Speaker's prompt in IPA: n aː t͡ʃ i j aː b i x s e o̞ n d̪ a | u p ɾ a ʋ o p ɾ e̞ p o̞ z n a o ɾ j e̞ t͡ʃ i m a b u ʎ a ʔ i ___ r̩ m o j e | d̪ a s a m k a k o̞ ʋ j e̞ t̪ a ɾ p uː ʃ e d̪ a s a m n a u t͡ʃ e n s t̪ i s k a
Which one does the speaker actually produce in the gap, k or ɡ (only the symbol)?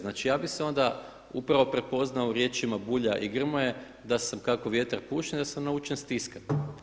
ɡ